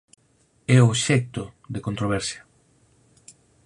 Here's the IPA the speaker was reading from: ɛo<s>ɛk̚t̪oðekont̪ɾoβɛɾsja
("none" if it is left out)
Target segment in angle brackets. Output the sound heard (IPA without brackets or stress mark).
ʃ